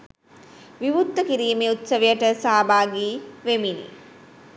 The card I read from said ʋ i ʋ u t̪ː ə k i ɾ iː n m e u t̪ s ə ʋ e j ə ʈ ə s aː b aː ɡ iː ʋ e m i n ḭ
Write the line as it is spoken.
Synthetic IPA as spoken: ʋ i ʋ u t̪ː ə k i ɾ iː m e u t̪ s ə ʋ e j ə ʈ ə s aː b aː ɡ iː ʋ e m i n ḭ